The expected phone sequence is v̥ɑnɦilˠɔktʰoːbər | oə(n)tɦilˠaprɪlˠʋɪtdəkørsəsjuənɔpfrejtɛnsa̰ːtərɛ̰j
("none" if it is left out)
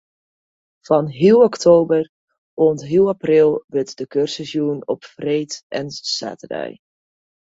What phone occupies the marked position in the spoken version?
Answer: n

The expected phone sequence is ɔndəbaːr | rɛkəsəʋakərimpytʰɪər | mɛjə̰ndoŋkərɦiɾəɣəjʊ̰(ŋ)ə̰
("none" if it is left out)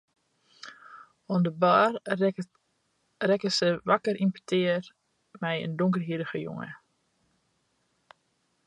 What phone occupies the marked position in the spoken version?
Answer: ŋ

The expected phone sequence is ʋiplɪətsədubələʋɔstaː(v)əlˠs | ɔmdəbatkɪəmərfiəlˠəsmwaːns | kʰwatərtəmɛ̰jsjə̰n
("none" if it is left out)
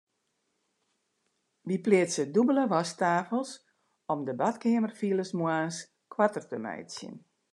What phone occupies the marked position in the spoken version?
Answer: f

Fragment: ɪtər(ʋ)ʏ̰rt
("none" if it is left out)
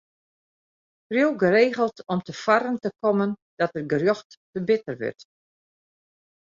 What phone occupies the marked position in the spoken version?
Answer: ʋ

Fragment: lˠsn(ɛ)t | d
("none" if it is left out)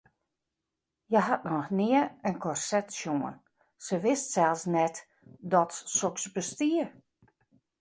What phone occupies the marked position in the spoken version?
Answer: ɛ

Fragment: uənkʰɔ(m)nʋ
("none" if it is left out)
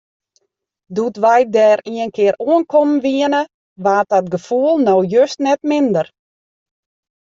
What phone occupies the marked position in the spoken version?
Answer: m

